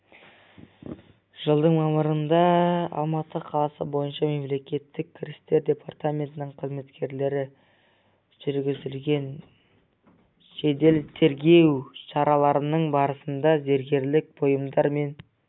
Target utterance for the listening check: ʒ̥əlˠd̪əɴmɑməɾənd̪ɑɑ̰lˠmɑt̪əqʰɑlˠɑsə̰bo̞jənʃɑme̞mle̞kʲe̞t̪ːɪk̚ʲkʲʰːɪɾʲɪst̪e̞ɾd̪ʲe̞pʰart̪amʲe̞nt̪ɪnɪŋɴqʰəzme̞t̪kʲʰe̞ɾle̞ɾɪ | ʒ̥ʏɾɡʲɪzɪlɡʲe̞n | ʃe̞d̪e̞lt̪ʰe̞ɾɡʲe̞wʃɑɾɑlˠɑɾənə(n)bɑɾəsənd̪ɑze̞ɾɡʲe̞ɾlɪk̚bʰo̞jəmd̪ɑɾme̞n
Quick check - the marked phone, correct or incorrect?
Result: incorrect